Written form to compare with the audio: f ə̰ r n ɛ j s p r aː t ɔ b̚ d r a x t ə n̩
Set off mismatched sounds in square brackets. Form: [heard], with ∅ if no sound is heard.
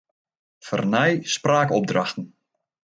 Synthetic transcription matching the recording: f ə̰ r n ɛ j s p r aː [k] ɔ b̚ d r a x t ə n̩